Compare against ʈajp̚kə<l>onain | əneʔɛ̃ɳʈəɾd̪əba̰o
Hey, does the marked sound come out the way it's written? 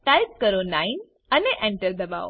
no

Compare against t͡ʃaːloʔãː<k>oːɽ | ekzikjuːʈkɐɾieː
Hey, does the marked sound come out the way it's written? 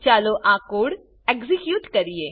yes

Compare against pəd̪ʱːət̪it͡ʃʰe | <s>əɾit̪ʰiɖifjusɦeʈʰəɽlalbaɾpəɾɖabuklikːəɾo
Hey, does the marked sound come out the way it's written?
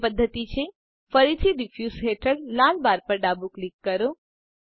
no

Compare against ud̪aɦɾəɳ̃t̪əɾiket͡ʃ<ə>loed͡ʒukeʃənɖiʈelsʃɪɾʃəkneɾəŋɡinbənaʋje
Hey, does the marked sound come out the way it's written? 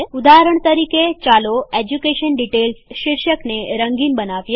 no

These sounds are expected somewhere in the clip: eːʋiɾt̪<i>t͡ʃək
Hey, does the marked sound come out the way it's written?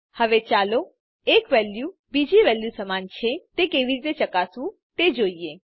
no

